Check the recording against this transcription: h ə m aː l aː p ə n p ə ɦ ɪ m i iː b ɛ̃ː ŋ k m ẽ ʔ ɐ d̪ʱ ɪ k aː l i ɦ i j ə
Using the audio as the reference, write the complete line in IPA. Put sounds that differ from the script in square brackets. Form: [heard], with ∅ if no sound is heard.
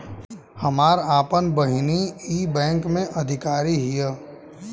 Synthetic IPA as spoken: h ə m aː [ɾ] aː p ə n [b] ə ɦ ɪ [n] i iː b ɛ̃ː ŋ k m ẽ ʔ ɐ d̪ʱ ɪ k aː [ɾ] i ɦ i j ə

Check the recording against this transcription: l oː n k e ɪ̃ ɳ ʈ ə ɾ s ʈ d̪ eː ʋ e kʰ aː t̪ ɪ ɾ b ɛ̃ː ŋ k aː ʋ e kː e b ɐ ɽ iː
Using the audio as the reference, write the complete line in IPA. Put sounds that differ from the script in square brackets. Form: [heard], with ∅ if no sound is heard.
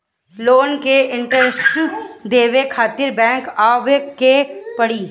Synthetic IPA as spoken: l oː n k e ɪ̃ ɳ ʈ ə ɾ s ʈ d̪ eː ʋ e kʰ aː t̪ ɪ ɾ b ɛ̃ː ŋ k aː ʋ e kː e [p] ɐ ɽ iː

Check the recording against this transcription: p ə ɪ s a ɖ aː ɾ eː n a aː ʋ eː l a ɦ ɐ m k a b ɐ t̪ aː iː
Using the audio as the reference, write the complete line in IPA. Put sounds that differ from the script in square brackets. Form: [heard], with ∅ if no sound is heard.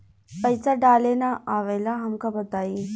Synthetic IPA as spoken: p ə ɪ s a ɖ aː [l] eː n a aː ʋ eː l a ɦ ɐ m k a b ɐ t̪ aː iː

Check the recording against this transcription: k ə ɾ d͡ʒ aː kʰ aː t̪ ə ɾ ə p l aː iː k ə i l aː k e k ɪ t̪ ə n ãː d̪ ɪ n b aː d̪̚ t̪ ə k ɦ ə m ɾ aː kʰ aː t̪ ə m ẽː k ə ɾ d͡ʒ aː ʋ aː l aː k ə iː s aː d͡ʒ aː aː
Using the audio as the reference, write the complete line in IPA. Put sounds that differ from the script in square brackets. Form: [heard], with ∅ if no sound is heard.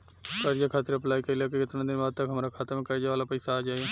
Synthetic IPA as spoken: k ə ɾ d͡ʒ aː kʰ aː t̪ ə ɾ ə p l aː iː k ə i l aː k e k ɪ t̪ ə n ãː d̪ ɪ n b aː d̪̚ t̪ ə k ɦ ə m ɾ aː kʰ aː t̪ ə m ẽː k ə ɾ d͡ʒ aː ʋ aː l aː [p] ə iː s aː d͡ʒ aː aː

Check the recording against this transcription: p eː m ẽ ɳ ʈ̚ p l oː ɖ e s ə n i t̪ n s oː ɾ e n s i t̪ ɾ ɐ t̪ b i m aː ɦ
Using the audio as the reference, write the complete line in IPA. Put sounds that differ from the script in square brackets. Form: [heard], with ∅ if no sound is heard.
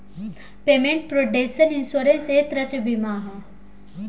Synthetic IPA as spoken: p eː m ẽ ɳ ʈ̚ p [ɾ] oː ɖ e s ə n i [∅] n s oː ɾ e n s [e] t̪ ɾ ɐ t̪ b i m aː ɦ

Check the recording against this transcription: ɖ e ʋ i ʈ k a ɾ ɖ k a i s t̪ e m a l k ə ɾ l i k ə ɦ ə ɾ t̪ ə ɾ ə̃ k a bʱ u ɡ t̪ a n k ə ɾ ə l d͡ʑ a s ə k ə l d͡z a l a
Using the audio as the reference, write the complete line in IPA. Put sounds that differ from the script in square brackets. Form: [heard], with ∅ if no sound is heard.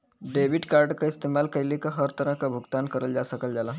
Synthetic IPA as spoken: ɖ e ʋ i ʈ k a ɾ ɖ k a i s t̪ e m a l k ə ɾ l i k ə ɦ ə ɾ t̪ ə ɾ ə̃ k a bʱ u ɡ t̪ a n k ə ɾ ə l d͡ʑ a s ə k ə l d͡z a l a

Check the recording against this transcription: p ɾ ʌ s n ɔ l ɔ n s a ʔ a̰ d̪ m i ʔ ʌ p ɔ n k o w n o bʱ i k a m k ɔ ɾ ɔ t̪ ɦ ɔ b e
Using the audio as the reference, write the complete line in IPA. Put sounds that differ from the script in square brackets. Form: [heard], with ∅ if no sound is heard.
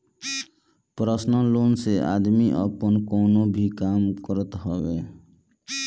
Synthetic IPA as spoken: p ɾ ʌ s n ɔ l [o] n s [e] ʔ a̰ d̪ m i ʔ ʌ p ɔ n k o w n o bʱ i k a m k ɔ ɾ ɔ t̪ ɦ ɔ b e

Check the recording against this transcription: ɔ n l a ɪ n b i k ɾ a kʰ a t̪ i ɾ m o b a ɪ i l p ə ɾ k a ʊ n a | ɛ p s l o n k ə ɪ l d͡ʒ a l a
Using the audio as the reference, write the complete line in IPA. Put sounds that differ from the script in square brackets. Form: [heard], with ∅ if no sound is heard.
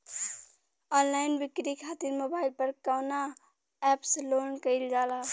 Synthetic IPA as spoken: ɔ n l a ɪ n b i k ɾ [i] kʰ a t̪ i ɾ m o b a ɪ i l p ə ɾ k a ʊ n a | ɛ p s l o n k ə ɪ l d͡ʒ a l a

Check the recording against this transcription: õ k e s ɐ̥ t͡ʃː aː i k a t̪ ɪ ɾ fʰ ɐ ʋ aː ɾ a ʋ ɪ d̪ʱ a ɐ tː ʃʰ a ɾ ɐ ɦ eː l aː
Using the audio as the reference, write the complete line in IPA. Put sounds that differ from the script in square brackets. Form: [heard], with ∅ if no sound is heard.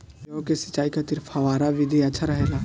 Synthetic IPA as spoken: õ k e s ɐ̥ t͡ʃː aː i k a t̪ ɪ ɾ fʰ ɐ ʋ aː ɾ a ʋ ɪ d̪ʱ [i] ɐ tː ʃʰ a ɾ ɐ ɦ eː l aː

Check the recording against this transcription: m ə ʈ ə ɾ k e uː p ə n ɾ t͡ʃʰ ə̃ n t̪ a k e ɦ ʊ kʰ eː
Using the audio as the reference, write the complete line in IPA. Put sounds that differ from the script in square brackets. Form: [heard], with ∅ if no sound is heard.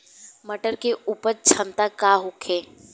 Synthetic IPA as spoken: m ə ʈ ə ɾ k e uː p ə [∅] ɾ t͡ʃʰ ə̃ n t̪ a k [a] ɦ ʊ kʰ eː

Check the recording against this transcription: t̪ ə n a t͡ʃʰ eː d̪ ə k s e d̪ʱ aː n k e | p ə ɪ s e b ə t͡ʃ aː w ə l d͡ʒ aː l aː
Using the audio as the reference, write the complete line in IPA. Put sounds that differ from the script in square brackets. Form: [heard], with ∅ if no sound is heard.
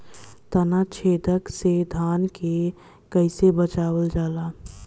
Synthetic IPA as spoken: t̪ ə n a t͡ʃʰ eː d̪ ə k s e d̪ʱ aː n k e | [k] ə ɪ s e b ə t͡ʃ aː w ə l d͡ʒ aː l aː

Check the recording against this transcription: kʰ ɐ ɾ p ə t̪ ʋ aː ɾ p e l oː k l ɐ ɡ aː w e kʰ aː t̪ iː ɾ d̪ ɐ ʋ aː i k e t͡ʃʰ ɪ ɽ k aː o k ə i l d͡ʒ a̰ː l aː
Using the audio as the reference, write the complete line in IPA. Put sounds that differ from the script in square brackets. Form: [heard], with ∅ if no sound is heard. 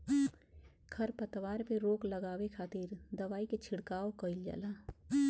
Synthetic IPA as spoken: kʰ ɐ ɾ p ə t̪ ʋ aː ɾ p e [ɾ] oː k l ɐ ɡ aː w e kʰ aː t̪ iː ɾ d̪ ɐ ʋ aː i k e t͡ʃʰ ɪ ɽ k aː o k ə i l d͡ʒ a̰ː l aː

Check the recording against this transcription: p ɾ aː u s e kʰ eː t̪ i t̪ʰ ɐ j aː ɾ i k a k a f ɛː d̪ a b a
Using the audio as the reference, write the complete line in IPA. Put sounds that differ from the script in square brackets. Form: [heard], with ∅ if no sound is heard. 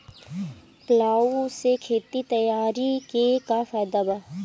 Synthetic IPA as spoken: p [l] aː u s e kʰ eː t̪ i [t̪] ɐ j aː ɾ i k [e] k a f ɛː d̪ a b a

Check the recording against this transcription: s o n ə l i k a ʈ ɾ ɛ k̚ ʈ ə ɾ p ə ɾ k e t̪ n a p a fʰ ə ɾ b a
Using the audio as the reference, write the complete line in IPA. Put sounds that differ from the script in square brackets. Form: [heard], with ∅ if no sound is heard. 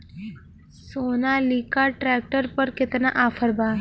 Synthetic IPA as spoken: s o n [a] l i k a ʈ ɾ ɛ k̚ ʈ ə ɾ p ə ɾ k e t̪ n a [ʔ] a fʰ ə ɾ b a

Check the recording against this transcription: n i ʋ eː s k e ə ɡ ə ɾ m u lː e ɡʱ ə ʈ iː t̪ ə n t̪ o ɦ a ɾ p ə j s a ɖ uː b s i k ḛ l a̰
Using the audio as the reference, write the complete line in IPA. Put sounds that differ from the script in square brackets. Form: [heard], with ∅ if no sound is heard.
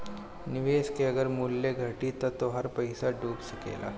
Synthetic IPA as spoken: n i ʋ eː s k e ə ɡ ə ɾ m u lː e ɡʱ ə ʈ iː t̪ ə [∅] t̪ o ɦ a ɾ p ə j s a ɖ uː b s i k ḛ l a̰

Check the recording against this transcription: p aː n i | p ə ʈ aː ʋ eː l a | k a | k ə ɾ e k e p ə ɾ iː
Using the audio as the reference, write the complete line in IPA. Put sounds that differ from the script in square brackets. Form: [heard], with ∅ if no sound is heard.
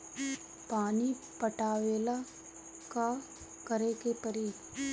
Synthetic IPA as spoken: p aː n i | p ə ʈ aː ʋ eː l a | k a | k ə ɾ e k e p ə ɾ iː

